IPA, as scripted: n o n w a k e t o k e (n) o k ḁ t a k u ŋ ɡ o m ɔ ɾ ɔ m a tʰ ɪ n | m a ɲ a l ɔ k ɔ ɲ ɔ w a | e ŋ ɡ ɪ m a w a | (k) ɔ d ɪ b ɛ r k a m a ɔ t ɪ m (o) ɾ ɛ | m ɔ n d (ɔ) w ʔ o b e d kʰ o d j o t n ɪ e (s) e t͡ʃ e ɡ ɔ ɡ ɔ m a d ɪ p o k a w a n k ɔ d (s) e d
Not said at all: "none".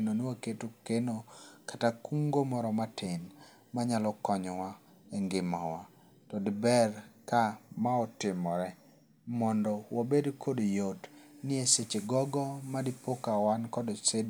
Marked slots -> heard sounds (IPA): n, t, ɔ, ɔ, s, s

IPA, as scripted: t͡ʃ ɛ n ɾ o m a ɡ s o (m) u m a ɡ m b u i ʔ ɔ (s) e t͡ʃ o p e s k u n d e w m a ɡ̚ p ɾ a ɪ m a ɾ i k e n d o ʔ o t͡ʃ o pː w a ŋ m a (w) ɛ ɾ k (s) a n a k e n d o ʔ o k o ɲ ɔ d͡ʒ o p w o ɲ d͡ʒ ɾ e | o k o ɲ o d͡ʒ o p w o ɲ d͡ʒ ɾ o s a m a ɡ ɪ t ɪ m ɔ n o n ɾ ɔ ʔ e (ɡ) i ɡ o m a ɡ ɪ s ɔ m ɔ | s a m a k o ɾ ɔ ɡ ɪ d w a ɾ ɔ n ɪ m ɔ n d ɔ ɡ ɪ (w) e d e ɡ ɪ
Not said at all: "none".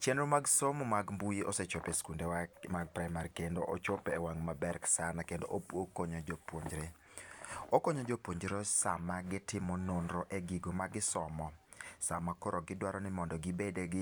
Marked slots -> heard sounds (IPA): m, s, b, s, ɡ, b

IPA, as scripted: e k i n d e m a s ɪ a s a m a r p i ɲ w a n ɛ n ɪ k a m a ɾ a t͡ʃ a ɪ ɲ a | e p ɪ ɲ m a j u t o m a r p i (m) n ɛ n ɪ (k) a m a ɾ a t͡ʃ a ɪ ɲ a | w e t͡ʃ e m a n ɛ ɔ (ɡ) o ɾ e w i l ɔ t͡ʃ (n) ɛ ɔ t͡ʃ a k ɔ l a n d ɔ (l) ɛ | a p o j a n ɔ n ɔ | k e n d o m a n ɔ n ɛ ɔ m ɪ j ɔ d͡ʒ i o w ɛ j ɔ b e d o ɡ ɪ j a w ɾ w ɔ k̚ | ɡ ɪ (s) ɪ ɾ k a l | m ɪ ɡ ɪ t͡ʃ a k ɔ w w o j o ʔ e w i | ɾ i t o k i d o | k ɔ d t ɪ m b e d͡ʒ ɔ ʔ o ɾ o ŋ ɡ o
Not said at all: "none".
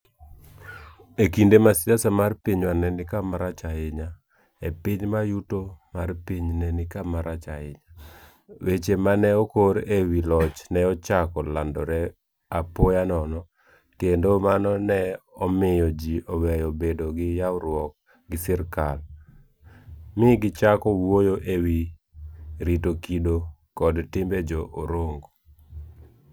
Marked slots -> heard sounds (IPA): ɲ, k, k, n, ɾ, s

